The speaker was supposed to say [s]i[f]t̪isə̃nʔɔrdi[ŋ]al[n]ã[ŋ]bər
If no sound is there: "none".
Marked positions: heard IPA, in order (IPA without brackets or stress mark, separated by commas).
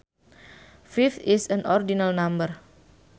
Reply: f, f, n, n, m